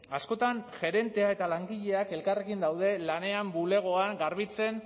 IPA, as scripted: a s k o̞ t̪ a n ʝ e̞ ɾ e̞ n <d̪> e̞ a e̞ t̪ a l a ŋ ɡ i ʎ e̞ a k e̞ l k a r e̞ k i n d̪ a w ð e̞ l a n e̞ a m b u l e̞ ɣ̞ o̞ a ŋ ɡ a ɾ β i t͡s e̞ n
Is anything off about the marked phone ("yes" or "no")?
yes